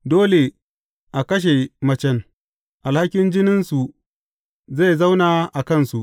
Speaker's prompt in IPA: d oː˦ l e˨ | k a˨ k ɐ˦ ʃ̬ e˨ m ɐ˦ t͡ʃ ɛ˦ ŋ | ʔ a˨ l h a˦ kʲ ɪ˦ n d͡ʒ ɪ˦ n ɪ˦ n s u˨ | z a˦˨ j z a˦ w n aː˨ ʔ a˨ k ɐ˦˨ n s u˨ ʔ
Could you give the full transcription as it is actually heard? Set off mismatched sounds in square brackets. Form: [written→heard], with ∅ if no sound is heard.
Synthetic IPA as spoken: d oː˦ l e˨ | [k→ʔ] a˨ k ɐ˦ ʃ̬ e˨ m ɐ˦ t͡ʃ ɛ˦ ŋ | ʔ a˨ l h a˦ kʲ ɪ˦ n d͡ʒ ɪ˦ n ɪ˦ n s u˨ | z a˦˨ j z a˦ w n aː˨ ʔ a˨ k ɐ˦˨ n s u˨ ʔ